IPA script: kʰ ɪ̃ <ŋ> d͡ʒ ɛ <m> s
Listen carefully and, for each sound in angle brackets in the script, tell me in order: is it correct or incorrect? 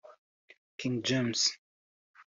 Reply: correct, correct

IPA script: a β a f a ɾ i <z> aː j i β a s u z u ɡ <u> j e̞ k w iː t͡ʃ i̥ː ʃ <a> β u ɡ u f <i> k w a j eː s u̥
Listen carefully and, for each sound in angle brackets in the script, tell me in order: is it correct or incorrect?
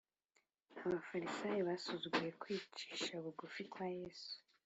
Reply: incorrect: s, correct, correct, correct

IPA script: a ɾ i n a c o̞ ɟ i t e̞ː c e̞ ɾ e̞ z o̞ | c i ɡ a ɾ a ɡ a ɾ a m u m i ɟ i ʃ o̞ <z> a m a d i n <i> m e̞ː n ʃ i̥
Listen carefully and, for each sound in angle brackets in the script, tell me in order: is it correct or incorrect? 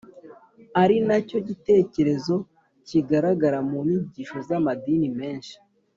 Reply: correct, correct

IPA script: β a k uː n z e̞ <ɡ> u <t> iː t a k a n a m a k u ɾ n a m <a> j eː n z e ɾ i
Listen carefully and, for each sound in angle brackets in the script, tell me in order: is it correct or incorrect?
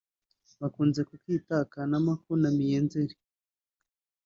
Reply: incorrect: k, incorrect: k, incorrect: i

